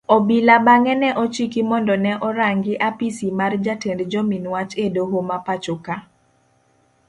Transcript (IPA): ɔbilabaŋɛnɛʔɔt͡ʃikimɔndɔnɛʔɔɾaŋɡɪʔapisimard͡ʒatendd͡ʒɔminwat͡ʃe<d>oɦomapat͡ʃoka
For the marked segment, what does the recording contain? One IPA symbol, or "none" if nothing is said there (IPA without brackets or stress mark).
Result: d